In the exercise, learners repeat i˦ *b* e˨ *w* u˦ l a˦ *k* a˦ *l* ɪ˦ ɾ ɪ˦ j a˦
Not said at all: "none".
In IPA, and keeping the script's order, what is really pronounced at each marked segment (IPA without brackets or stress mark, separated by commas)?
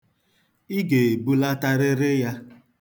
ɡ, b, t, ɾ